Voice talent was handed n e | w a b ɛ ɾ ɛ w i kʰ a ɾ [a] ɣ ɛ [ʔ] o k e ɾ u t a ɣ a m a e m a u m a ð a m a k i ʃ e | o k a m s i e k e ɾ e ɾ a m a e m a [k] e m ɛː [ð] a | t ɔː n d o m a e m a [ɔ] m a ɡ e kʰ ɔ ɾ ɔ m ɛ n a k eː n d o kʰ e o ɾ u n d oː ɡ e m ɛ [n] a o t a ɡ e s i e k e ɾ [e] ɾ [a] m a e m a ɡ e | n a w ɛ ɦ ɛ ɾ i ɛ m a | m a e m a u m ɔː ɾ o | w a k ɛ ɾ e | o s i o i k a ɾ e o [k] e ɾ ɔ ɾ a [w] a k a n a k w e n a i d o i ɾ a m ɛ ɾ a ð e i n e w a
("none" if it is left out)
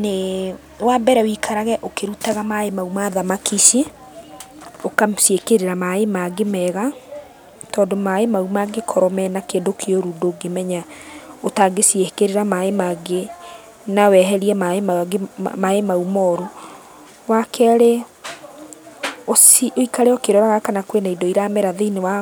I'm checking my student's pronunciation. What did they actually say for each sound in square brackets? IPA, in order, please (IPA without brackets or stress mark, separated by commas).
a, ʔ, ɡ, ɣ, u, ɲ, e, a, k, ɣ